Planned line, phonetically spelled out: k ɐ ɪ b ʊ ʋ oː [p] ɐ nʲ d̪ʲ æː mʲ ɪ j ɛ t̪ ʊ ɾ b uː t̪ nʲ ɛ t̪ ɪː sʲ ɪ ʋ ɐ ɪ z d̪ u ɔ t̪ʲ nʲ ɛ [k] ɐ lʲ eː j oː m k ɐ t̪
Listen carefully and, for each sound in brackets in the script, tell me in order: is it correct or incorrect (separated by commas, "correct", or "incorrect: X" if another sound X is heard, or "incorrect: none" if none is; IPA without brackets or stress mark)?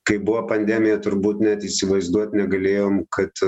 correct, incorrect: ɡ